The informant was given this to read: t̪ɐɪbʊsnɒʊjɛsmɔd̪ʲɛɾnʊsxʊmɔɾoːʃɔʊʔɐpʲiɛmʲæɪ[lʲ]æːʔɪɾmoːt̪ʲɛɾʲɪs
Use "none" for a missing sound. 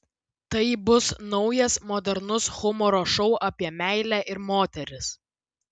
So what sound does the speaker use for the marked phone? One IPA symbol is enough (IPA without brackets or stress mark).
lʲ